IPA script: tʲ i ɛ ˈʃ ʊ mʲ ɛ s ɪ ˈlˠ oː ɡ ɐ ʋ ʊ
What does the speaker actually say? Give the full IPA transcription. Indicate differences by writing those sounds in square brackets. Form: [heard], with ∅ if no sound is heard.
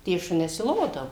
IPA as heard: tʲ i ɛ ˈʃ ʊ [nʲ] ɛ s ɪ ˈlˠ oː [d] ɐ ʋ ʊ